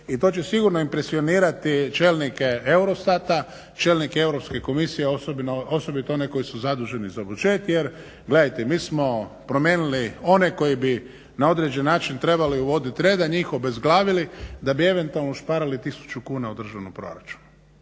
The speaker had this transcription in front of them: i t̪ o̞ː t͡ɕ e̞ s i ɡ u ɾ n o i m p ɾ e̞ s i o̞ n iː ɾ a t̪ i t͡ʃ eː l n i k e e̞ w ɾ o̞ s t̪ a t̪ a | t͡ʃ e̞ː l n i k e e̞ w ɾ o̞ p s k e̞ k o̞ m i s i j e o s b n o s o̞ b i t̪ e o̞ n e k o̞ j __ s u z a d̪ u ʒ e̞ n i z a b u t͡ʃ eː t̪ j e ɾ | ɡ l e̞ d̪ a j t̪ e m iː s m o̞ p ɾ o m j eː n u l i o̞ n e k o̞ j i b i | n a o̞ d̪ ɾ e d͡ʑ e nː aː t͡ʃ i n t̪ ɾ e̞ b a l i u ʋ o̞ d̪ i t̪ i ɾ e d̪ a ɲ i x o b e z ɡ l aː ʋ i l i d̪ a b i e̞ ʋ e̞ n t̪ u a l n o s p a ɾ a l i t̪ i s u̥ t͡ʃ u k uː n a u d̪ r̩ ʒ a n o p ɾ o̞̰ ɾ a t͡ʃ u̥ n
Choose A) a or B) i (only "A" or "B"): B